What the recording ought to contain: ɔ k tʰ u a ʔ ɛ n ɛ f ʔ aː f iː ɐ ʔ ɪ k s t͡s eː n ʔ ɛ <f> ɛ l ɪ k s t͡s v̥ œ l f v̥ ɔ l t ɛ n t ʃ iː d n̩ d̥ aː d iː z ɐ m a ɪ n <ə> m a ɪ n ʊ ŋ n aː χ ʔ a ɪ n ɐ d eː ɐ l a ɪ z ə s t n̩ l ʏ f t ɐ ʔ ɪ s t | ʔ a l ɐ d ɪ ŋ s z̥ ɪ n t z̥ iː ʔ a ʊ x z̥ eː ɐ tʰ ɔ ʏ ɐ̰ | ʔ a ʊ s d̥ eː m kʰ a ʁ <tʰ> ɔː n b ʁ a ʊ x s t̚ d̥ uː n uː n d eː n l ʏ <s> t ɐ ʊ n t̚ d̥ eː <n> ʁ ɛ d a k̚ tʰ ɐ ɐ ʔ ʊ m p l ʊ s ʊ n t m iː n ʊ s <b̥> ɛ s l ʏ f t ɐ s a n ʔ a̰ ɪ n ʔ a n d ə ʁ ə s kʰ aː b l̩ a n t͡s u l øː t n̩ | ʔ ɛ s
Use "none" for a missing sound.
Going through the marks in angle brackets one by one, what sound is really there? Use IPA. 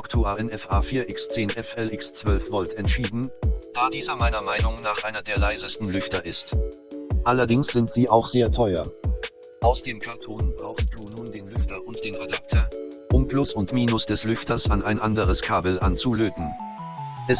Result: f, ɐ, tʰ, f, n, d̥

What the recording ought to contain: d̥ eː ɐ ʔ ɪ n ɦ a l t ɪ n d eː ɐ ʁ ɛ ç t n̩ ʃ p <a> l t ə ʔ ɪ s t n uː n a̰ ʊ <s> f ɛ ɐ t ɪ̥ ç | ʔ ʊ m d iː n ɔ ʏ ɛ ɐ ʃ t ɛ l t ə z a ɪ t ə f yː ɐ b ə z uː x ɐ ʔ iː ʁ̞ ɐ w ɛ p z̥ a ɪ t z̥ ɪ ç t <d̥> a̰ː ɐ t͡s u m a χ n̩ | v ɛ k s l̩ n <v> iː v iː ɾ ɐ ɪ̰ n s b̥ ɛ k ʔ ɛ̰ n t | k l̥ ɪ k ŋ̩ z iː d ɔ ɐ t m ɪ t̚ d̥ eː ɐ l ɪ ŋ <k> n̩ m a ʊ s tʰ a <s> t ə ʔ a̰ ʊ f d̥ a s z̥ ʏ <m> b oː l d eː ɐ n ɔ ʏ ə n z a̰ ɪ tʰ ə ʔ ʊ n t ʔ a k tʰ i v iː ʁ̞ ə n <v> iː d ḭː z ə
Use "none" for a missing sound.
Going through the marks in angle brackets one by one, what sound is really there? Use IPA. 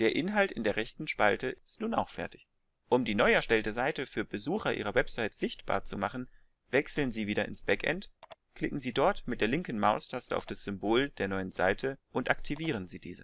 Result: a, x, b̥, z, k, s, m, z

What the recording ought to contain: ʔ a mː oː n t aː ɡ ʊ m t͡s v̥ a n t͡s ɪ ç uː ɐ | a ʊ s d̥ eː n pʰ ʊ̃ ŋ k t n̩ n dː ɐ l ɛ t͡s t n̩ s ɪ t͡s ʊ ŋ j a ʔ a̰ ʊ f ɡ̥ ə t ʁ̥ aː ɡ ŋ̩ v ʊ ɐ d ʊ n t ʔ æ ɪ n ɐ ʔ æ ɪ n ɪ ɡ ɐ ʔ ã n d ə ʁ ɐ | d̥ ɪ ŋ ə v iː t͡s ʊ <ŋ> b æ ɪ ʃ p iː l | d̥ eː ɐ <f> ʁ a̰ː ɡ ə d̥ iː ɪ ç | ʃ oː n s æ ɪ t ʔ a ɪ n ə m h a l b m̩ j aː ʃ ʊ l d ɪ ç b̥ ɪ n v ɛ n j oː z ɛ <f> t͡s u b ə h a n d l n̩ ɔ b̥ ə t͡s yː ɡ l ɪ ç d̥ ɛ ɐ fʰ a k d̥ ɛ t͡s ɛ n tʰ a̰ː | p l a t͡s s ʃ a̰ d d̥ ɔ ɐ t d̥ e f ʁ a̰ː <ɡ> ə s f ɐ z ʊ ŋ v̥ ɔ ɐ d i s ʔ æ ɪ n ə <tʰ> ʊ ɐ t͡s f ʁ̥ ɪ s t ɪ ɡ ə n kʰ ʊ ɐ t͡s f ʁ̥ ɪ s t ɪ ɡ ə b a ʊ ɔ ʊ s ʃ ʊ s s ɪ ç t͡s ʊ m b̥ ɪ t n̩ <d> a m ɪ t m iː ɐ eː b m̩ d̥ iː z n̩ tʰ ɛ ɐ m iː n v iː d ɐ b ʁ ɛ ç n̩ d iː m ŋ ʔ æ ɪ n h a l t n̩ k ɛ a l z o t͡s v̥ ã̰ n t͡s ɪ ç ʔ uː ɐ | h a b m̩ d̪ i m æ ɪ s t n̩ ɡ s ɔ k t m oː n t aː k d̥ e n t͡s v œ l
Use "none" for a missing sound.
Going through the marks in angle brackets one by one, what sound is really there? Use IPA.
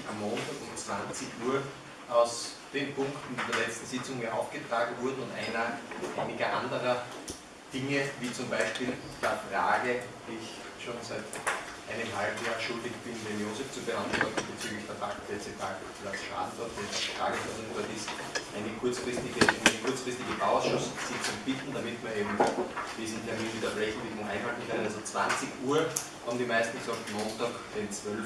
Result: m, f, f, ɡ, kʰ, d

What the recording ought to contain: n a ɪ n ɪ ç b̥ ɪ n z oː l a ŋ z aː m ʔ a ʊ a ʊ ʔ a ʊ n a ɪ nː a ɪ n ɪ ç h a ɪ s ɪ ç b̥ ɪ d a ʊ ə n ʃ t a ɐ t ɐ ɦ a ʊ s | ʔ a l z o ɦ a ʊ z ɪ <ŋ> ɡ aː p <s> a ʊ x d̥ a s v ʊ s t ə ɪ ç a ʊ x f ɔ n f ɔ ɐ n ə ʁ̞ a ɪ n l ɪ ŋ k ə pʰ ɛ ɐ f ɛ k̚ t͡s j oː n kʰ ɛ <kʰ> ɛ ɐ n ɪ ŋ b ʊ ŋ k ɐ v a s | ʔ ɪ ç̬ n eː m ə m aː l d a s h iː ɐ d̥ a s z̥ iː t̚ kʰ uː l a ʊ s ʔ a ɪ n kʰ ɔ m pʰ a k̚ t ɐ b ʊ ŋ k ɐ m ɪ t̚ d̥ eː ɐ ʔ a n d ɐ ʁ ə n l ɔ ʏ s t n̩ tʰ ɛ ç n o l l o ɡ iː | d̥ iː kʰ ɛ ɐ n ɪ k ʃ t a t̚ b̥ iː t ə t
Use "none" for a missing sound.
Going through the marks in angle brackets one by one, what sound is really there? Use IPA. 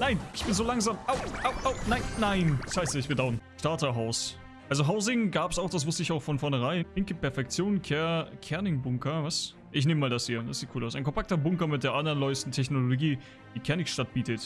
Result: ŋ, s, kʰ

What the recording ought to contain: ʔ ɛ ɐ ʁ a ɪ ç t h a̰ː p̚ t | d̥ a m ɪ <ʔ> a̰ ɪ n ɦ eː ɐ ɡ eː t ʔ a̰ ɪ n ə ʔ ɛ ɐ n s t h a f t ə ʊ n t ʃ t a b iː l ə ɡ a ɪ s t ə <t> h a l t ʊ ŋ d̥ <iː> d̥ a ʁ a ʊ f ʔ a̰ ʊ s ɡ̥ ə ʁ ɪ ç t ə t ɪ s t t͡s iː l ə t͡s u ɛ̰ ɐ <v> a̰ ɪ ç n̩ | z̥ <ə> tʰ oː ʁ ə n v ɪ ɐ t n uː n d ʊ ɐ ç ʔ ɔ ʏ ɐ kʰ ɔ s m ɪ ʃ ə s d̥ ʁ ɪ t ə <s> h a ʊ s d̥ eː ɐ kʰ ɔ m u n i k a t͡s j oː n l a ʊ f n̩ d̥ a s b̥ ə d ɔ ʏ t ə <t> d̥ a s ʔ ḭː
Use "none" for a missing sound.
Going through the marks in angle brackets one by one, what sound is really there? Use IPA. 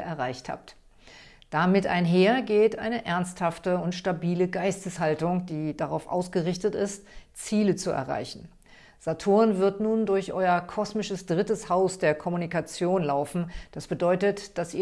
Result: t, s, iː, ʁ, a, s, t

